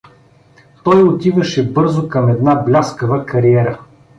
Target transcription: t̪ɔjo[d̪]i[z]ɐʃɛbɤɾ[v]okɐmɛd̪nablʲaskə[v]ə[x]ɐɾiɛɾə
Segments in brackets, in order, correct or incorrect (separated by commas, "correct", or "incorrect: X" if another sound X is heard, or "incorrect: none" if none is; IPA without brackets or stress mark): incorrect: t̪, incorrect: v, incorrect: z, correct, incorrect: k